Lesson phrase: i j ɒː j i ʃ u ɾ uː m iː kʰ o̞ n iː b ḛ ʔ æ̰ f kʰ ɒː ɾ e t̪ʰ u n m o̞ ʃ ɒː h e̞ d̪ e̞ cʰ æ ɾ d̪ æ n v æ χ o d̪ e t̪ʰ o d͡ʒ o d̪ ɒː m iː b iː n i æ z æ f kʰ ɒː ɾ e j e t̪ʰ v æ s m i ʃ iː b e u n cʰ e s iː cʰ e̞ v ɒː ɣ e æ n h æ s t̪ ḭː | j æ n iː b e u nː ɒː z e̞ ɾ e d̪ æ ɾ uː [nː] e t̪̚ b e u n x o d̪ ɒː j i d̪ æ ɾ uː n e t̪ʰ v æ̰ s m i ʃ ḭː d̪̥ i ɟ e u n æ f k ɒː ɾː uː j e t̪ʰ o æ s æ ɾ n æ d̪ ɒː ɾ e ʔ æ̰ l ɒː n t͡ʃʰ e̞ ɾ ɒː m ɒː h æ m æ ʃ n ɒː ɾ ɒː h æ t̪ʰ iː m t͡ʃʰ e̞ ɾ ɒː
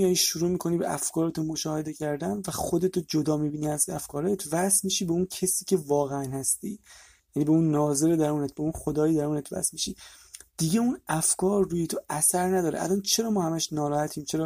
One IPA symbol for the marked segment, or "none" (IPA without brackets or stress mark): n